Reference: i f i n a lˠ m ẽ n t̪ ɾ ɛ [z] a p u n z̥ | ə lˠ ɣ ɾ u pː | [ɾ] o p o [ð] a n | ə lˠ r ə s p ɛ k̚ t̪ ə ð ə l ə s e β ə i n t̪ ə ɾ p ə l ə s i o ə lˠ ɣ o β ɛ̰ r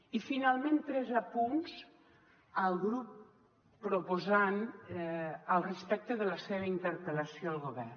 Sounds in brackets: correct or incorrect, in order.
correct, correct, incorrect: z

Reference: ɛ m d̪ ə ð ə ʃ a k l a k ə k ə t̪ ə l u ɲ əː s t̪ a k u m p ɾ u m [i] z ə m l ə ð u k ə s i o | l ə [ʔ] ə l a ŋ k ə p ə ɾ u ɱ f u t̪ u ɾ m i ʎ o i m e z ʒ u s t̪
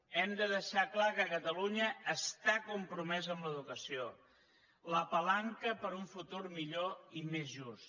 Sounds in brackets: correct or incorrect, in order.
incorrect: ɛ, incorrect: p

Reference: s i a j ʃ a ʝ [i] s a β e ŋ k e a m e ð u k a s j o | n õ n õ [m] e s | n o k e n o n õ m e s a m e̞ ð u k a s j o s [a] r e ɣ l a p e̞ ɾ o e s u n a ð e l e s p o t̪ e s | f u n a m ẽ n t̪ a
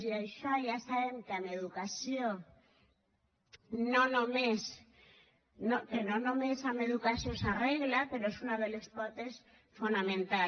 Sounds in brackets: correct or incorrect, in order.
incorrect: a, correct, correct

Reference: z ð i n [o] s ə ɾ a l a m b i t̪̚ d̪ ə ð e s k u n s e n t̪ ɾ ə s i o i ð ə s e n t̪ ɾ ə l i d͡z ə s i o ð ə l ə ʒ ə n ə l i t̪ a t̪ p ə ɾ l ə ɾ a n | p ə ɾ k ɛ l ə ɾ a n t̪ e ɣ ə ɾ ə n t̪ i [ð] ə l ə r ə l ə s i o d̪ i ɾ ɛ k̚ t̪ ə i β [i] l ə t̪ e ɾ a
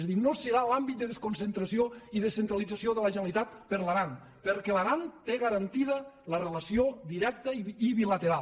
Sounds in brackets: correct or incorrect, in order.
correct, correct, correct

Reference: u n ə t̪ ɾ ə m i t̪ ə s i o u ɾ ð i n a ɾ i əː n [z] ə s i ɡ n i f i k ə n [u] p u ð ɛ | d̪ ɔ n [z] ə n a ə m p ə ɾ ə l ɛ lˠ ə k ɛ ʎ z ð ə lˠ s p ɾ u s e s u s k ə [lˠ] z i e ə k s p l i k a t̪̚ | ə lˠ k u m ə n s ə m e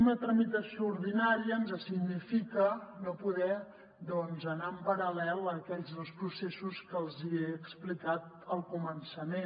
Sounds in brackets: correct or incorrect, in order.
correct, incorrect: o, correct, correct

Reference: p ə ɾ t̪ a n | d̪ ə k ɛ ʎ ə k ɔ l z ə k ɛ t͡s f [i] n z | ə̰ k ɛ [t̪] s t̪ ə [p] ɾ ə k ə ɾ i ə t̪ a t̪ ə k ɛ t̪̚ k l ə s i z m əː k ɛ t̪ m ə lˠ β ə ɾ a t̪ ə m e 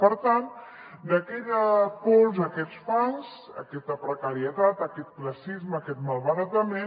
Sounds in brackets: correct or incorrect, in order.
incorrect: a, incorrect: none, correct

